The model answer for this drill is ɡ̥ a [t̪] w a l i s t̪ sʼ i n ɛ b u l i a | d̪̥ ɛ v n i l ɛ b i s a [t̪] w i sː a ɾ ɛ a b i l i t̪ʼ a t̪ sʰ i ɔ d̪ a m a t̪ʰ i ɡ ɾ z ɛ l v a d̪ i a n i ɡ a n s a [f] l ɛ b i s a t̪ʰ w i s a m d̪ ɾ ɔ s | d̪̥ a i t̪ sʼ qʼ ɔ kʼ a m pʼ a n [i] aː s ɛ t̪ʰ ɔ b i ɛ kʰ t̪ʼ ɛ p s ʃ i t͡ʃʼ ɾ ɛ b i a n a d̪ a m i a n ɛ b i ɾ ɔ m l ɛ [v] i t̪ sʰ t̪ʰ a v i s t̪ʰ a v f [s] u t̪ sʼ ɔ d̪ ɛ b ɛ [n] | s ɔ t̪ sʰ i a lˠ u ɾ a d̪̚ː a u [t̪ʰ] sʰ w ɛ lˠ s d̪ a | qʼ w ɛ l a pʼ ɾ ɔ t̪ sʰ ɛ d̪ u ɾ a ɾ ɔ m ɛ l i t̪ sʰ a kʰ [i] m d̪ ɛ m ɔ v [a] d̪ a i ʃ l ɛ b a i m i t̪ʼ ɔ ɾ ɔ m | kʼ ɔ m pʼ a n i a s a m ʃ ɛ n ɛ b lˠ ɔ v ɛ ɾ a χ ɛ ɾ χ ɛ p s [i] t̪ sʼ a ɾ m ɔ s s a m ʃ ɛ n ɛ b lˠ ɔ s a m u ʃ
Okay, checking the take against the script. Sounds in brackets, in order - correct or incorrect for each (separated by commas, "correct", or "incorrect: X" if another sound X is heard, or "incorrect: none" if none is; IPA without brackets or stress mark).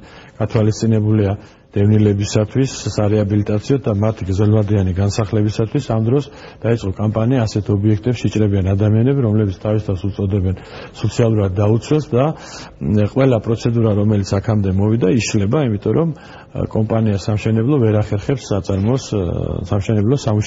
incorrect: t̪ʰ, incorrect: t̪ʰ, incorrect: χ, correct, incorrect: b, correct, correct, incorrect: t̪, incorrect: a, incorrect: i, incorrect: a